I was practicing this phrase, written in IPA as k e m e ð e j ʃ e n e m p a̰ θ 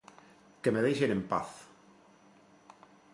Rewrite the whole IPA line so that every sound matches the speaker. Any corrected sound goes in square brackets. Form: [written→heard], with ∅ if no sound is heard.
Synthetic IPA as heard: k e m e ð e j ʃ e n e m p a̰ θ